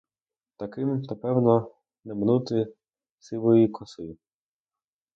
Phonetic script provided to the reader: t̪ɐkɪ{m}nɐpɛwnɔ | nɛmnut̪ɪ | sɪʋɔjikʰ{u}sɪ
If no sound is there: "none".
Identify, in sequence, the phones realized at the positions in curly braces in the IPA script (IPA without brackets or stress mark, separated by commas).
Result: m, ɔ